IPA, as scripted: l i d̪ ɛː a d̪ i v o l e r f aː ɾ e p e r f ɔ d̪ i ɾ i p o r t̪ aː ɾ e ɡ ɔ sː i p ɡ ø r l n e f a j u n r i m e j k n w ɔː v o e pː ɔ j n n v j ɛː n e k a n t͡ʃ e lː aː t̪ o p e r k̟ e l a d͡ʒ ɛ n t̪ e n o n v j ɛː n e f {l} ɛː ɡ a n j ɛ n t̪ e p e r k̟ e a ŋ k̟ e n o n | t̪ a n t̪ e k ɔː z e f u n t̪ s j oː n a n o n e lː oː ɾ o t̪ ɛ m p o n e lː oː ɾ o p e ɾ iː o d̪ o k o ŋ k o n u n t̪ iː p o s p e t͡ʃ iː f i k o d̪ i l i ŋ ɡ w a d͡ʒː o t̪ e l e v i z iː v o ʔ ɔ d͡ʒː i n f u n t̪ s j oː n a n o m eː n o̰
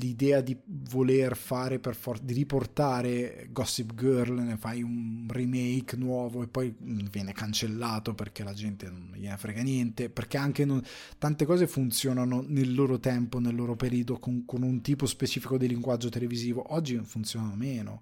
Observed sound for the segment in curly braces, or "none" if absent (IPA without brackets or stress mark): ɾ